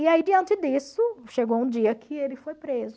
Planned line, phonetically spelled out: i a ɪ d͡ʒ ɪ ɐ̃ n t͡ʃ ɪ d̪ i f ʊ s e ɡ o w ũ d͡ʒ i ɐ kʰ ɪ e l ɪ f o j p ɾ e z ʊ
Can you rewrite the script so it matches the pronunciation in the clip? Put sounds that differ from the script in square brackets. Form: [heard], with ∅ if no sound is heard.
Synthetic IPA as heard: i a [i] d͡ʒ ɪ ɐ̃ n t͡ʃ ɪ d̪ i [s] ʊ [ʃ] e ɡ o w ũ d͡ʒ i ɐ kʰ ɪ e l ɪ f o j p ɾ e z ʊ